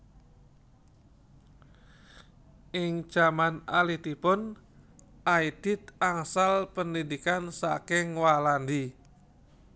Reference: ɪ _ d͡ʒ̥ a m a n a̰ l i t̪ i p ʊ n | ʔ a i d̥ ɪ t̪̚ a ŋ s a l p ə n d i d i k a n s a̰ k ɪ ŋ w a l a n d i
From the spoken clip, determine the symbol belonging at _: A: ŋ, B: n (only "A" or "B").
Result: A